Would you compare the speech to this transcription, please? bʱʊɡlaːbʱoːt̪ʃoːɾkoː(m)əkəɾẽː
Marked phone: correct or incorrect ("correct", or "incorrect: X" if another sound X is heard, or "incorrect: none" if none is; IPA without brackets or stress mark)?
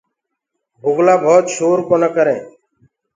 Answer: incorrect: n